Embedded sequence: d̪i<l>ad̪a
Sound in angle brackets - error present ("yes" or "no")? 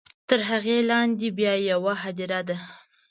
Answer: yes